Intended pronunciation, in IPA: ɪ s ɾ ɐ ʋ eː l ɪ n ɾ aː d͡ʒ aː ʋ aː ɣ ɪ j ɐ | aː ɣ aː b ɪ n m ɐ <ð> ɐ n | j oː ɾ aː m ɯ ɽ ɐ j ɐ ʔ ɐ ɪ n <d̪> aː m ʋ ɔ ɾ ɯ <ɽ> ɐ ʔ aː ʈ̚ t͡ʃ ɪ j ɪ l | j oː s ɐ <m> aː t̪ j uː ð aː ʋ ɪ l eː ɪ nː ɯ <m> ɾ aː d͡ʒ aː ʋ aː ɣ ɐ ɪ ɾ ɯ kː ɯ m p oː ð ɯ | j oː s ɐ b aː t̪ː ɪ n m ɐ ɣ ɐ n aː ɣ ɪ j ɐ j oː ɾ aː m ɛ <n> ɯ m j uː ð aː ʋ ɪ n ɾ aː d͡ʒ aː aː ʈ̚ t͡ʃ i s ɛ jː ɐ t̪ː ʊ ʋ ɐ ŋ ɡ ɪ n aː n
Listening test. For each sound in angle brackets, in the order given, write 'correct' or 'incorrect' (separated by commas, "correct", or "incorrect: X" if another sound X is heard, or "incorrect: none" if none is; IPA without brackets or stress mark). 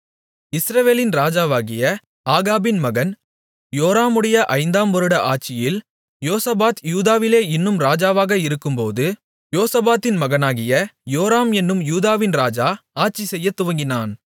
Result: incorrect: ɣ, correct, correct, incorrect: b, correct, incorrect: nː